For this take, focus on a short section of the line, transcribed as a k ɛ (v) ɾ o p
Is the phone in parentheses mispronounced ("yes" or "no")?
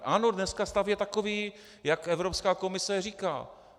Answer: no